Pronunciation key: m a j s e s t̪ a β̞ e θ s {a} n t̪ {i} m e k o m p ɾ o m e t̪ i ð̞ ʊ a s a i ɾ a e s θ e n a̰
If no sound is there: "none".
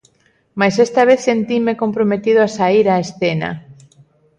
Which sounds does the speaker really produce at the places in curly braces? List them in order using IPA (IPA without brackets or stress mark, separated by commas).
e, i